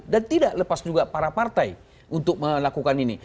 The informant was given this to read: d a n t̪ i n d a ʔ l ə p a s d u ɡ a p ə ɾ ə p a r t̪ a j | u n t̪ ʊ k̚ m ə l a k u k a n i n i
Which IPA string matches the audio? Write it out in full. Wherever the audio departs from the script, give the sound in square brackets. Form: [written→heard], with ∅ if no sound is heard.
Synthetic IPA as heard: d a n t̪ i [n→∅] d a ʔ l ə p a s [d→d͡ʒ] u ɡ a p [ə→a] ɾ [ə→a] p a r t̪ a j | u n t̪ ʊ k̚ m ə l a k u k a n i n i